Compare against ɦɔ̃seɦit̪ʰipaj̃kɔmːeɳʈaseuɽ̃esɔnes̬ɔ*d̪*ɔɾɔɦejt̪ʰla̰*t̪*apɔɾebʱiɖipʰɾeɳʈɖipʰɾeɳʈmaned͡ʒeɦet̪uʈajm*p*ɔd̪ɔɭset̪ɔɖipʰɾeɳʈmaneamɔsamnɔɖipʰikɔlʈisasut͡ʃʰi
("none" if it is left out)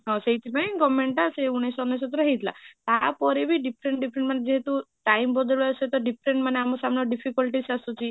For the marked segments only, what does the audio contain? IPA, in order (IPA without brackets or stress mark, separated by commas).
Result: t̪, t̪, b